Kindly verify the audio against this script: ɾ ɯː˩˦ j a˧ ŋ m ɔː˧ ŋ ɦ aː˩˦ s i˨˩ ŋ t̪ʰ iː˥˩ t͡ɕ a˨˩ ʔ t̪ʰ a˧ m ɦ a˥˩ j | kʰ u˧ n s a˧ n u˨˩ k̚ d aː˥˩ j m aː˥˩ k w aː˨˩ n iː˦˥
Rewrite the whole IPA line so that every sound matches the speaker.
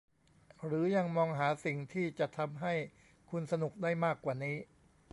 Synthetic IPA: ɾ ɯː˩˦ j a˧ ŋ m ɔː˧ ŋ ɦ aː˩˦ s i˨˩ ŋ t̪ʰ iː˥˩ t͡ɕ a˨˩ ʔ t̪ʰ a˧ m ɦ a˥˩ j | kʰ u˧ n s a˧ n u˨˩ k̚ d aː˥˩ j m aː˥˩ k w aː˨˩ n iː˦˥